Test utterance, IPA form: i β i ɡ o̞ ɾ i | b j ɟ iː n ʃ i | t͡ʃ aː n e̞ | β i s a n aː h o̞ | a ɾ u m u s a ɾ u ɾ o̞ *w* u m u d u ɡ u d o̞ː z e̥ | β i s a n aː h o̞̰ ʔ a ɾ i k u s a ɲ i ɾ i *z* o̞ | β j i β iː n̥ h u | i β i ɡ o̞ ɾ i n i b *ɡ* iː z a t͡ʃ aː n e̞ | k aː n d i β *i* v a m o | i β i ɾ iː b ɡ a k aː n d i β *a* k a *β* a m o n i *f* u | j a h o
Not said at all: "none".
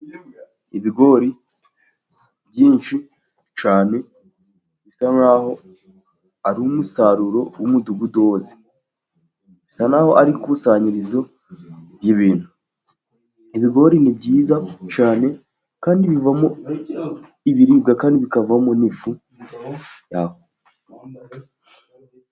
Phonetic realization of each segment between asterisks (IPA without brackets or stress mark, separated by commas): w, z, ɟ, i, i, v, f